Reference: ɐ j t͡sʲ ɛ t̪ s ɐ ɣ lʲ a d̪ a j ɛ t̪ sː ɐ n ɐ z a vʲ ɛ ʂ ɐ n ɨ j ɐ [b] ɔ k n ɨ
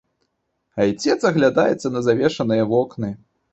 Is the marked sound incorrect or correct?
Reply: incorrect